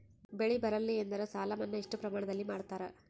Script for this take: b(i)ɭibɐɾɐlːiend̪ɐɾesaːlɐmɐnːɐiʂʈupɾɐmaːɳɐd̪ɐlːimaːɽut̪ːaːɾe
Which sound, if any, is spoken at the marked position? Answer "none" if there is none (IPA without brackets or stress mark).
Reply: e